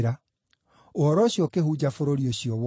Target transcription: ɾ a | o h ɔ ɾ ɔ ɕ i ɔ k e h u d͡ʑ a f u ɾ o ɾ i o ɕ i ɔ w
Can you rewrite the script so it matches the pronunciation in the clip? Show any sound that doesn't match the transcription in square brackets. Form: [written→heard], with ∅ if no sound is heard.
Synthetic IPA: ɾ a | o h ɔ ɾ ɔ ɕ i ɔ k e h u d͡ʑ a f [u→o] ɾ o ɾ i o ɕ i ɔ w